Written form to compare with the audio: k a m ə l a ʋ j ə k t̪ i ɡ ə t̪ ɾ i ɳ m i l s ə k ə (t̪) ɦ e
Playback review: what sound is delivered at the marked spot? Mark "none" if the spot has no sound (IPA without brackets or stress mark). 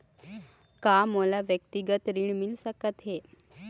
t̪